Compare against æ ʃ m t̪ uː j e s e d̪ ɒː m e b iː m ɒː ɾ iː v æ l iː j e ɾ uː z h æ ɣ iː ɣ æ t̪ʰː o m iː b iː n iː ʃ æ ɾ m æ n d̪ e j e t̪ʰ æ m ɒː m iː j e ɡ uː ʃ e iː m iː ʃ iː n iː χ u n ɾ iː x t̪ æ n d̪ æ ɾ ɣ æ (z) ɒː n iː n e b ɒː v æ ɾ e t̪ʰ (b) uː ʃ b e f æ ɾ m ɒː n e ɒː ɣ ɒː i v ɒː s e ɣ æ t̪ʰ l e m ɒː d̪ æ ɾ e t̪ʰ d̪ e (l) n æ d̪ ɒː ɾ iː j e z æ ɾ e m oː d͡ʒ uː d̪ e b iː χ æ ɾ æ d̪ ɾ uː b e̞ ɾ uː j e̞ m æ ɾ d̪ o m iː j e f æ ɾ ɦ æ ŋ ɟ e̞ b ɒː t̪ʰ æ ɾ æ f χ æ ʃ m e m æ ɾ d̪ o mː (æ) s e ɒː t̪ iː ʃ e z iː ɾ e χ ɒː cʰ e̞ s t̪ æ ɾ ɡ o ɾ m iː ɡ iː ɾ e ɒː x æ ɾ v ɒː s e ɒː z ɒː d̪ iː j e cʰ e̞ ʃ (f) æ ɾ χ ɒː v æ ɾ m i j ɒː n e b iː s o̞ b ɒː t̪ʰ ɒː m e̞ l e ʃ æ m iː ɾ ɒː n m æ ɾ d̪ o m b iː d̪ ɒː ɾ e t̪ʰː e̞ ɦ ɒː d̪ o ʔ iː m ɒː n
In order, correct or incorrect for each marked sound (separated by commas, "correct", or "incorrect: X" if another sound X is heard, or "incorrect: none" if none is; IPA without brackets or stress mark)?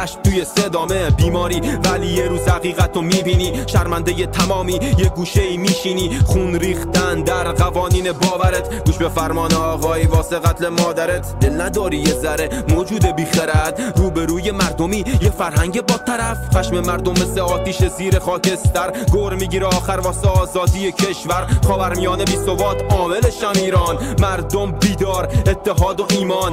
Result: incorrect: v, incorrect: ɡ, correct, incorrect: e, incorrect: v